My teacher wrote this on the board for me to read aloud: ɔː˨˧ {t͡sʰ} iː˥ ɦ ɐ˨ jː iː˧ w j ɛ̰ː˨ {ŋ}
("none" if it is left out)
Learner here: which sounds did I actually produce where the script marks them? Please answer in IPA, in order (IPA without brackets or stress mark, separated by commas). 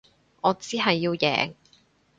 t͡s, ŋ